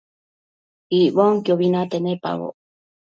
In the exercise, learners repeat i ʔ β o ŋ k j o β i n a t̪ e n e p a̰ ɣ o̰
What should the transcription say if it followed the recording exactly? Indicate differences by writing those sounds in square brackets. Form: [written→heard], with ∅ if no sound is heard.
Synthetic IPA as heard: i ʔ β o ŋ k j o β i n a t̪ e n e p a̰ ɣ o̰